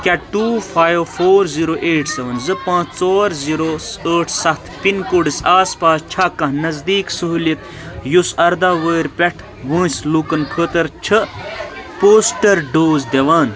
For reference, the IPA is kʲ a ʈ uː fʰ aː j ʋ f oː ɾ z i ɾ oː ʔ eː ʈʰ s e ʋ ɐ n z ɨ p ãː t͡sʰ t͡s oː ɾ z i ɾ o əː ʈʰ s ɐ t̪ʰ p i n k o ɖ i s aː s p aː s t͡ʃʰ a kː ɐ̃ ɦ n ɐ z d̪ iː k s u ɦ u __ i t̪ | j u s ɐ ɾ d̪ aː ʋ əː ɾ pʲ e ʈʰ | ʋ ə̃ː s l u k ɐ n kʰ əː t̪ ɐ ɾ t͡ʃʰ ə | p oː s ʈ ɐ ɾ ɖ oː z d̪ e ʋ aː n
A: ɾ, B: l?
B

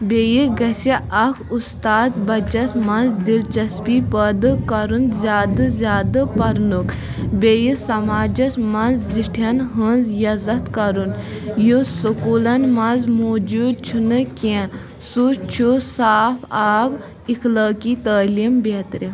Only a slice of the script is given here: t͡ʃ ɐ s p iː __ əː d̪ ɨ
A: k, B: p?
B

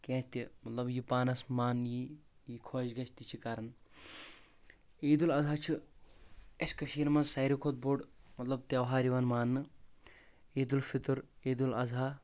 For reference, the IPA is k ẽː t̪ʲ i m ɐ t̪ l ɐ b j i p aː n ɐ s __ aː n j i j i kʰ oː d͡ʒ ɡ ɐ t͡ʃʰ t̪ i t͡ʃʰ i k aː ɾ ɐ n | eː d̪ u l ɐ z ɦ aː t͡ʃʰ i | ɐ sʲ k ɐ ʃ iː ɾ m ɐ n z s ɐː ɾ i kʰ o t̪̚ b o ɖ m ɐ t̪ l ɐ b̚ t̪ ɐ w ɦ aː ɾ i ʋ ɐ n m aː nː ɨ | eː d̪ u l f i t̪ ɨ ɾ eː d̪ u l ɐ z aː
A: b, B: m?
B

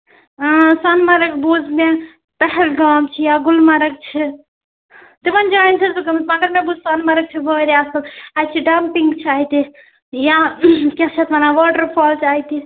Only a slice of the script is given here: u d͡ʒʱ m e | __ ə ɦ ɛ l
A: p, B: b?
A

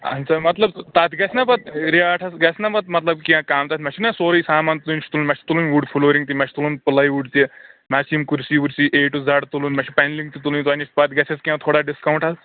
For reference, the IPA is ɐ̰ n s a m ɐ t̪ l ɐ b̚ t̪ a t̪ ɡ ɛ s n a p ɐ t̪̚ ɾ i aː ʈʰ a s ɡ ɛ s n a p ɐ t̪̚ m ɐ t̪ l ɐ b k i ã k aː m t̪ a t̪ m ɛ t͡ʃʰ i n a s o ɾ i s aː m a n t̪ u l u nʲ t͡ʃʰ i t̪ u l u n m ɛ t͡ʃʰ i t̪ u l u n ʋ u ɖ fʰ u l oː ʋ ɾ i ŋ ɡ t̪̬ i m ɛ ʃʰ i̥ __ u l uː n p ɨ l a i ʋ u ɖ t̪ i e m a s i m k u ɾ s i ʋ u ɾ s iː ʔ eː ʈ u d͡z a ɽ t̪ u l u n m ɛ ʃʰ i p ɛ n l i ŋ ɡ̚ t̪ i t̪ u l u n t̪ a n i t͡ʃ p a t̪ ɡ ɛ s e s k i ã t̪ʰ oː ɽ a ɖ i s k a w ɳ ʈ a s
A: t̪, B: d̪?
A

